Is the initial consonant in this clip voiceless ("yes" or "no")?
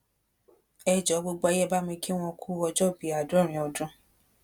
no